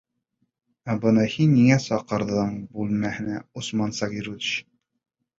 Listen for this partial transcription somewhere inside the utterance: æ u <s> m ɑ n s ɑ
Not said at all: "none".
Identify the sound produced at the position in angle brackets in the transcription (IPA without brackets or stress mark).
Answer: s